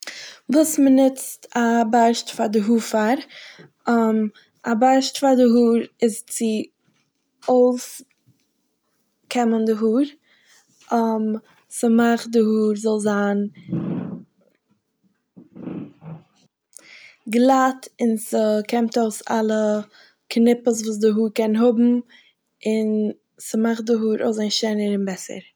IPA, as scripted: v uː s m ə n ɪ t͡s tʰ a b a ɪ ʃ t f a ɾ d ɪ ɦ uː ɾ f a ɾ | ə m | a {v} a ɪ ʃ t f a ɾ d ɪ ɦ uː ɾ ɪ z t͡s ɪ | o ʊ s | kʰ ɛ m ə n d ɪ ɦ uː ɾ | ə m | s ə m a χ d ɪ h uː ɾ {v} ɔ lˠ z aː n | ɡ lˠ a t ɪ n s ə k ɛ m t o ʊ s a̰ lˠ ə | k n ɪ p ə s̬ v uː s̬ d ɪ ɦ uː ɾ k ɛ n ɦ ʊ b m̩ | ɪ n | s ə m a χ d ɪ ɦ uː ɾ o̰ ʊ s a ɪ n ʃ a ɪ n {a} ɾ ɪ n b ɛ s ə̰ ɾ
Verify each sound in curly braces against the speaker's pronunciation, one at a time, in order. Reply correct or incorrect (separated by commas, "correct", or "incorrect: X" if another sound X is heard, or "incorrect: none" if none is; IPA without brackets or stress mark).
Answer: incorrect: b, incorrect: z, incorrect: ə